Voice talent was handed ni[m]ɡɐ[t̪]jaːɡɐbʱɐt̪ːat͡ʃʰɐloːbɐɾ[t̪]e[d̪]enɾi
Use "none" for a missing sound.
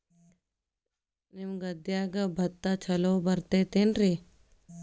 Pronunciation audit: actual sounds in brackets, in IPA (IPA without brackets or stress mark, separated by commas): m, d̪, t̪, t̪